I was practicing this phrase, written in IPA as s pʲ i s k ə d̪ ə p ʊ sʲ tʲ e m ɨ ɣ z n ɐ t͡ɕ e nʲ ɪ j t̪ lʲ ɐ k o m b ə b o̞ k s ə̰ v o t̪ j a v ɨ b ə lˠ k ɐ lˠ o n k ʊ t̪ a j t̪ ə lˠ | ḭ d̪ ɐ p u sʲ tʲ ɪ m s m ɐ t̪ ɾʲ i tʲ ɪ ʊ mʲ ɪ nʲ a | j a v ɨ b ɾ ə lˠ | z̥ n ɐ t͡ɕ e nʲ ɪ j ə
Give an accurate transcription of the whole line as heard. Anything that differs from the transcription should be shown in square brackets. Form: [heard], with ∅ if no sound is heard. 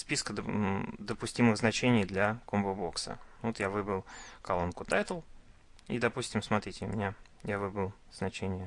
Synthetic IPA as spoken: s pʲ i s k ə d̪ ə p ʊ sʲ tʲ [i] m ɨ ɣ z n ɐ t͡ɕ e nʲ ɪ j [d̪] lʲ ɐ k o m b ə b o̞ k s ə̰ v o t̪ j a v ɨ b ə lˠ k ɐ lˠ o n k ʊ t̪ a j t̪ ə lˠ | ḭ d̪ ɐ p u sʲ tʲ ɪ m s m ɐ t̪ ɾʲ i tʲ ɪ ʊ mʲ ɪ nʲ a | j a v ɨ b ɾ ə lˠ | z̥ n ɐ t͡ɕ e nʲ ɪ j ə